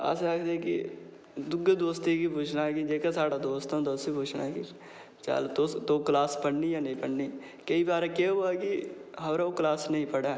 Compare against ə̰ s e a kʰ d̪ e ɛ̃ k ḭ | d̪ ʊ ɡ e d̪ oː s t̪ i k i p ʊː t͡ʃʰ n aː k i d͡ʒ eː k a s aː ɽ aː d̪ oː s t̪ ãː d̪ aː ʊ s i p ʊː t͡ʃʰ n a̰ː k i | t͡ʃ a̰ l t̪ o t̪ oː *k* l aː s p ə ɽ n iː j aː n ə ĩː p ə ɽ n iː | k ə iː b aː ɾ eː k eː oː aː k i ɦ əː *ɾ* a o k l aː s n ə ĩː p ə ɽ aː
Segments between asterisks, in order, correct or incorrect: correct, correct

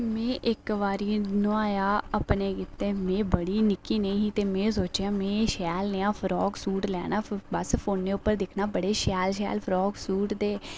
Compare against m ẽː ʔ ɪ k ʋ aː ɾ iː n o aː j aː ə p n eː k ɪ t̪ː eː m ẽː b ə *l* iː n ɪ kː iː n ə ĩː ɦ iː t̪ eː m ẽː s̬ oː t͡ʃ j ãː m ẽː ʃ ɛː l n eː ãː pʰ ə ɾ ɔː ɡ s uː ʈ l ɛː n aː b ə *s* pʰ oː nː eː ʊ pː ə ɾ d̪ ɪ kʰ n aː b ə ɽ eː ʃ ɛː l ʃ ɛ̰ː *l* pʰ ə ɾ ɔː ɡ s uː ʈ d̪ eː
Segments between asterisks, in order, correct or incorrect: incorrect: ɽ, correct, correct

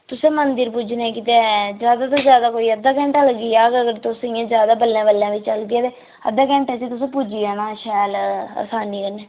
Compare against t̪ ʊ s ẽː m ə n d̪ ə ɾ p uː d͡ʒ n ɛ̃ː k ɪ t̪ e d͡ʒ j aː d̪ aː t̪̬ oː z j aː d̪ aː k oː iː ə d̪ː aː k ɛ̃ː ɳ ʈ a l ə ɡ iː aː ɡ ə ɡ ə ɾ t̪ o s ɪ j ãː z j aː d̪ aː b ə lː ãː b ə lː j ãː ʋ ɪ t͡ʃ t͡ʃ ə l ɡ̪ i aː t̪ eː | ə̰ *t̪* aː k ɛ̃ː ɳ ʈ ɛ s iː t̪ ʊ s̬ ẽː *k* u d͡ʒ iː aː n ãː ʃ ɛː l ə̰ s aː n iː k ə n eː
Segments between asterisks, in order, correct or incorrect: incorrect: d̪, incorrect: p

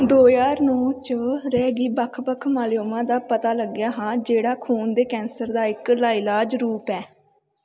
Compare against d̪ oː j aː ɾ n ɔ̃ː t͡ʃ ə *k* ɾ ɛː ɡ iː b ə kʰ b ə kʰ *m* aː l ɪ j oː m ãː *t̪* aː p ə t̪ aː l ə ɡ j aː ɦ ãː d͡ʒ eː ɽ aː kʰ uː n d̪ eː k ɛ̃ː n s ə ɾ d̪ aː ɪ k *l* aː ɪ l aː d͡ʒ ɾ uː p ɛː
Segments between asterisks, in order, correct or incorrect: incorrect: none, correct, incorrect: d̪, correct

